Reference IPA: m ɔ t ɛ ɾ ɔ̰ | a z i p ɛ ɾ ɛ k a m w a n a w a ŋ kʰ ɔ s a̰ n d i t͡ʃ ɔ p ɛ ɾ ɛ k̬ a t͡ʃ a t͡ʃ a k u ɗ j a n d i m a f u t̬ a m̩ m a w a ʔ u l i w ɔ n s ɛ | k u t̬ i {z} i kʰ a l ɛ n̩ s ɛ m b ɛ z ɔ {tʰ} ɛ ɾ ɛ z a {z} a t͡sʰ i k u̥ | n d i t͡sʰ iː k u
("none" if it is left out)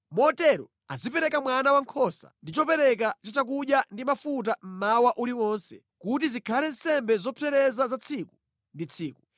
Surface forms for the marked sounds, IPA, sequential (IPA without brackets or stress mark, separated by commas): z, pʰ, z